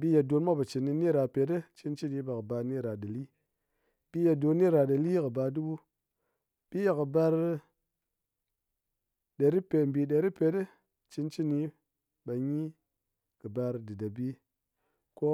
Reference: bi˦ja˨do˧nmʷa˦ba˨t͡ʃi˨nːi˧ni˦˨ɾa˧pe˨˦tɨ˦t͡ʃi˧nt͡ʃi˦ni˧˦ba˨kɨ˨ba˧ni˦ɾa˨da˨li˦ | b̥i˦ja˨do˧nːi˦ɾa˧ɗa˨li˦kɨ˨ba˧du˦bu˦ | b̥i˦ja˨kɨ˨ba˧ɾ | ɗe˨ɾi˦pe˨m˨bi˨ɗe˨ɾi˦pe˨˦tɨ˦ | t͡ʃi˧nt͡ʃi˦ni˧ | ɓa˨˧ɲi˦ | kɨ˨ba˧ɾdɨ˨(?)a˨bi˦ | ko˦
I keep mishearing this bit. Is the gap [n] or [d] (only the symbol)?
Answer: d